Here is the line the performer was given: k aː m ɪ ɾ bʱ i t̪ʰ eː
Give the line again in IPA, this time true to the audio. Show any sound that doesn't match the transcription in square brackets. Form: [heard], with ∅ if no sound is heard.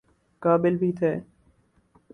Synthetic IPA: k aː [b] ɪ [l] bʱ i t̪ʰ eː

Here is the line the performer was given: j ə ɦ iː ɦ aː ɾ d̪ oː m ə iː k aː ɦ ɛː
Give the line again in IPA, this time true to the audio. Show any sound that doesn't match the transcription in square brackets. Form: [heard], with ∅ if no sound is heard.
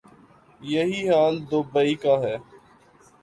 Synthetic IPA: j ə ɦ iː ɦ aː [l] d̪ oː [b] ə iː k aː ɦ ɛː

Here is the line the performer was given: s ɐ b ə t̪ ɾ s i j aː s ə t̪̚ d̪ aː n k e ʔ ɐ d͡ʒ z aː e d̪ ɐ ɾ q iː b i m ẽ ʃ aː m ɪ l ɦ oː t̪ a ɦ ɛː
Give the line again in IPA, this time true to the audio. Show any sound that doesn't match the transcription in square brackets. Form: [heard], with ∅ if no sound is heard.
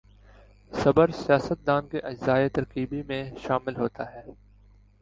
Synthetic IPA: s ɐ b ə [∅] ɾ s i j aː s ə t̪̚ d̪ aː n k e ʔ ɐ d͡ʒ z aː e [t̪] ɐ ɾ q iː b i m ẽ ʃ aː m ɪ l ɦ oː t̪ a ɦ ɛː

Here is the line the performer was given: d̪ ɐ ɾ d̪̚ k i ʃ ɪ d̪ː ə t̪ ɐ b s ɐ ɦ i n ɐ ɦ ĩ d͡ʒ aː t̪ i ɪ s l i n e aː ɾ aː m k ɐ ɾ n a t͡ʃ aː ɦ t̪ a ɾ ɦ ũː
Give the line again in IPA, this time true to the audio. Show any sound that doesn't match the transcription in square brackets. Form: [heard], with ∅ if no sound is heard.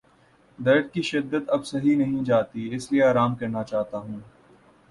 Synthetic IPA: d̪ ɐ ɾ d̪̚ k i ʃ ɪ d̪ː ə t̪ ɐ b s ɐ ɦ i n ɐ ɦ ĩ d͡ʒ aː t̪ i ɪ s l i [∅] e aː ɾ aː m k ɐ ɾ n a t͡ʃ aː ɦ t̪ a [∅] ɦ ũː

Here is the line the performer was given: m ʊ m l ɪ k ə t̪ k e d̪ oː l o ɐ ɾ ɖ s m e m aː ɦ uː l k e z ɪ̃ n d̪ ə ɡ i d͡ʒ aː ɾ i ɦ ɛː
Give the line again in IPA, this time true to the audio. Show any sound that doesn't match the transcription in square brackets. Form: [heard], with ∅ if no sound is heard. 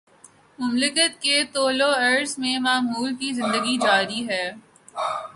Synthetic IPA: m ʊ m l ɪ k ə t̪ k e [t̪] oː l o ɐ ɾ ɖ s m [ẽ] m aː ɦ uː l k [i] z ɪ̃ n d̪ ə ɡ i d͡ʒ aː ɾ i ɦ ɛː

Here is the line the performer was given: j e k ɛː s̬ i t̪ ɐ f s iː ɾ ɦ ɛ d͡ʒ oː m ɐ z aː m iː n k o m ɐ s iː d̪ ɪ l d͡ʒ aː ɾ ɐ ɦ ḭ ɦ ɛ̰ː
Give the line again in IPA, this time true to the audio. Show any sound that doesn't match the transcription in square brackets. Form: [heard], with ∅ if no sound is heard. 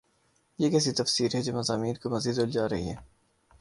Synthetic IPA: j e k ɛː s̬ i t̪ ɐ f s iː ɾ ɦ ɛ d͡ʒ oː m ɐ z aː m iː n k o m ɐ [z] iː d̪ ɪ l d͡ʒ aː ɾ ɐ ɦ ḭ ɦ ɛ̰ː

